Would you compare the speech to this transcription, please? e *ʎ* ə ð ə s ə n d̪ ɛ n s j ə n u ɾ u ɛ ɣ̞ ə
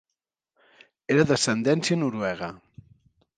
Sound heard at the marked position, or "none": ɾ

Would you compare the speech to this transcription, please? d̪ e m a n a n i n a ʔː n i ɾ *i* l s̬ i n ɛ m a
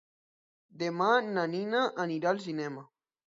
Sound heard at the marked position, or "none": a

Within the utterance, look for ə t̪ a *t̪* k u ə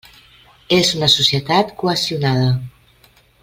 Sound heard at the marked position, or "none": t̪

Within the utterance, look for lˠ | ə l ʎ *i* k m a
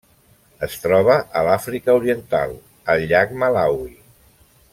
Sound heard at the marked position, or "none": a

